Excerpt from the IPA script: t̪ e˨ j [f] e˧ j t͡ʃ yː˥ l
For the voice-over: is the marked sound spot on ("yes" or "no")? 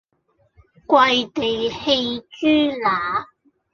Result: no